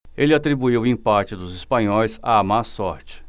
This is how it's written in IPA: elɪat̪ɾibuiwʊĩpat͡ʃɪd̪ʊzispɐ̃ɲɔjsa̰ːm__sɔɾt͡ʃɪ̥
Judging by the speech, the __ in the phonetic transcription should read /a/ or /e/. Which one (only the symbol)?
a